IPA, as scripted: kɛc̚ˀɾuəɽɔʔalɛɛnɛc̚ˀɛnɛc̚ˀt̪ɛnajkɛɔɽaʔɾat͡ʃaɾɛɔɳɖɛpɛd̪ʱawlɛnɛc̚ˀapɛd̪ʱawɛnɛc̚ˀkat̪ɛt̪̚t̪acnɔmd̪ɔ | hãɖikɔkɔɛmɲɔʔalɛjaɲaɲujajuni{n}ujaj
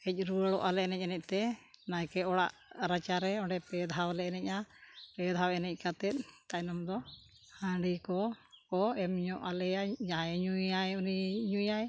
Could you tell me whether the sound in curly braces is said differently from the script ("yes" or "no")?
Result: yes